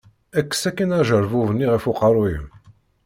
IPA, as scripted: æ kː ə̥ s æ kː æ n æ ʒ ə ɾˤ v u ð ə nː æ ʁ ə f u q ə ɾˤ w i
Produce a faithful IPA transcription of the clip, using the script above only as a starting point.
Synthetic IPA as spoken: æ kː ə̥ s æ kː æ n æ ʒ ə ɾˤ v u v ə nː i ʁ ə f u q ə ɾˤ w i